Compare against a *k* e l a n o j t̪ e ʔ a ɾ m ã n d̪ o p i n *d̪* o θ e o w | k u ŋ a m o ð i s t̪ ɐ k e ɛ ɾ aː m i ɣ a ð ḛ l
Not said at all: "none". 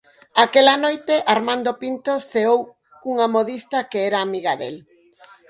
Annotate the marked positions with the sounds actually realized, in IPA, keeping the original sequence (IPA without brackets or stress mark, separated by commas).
k, t̪